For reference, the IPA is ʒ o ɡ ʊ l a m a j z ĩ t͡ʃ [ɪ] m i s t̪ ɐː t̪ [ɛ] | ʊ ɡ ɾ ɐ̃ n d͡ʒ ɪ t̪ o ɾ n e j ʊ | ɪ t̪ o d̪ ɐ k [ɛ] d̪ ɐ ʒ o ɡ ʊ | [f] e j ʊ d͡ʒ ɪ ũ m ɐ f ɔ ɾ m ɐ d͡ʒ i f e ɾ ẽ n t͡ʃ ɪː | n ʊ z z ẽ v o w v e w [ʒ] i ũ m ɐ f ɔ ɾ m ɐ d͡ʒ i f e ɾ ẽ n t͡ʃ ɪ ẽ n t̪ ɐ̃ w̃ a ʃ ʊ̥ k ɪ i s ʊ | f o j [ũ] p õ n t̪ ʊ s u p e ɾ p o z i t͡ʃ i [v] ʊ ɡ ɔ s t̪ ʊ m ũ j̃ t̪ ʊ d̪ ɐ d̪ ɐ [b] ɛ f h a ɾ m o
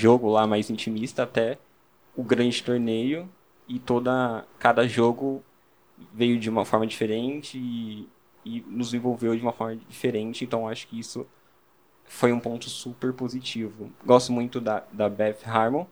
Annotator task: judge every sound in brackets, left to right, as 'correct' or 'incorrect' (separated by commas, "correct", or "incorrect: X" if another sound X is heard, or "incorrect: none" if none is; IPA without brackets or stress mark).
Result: incorrect: i, correct, incorrect: a, incorrect: v, incorrect: d͡ʒ, correct, correct, correct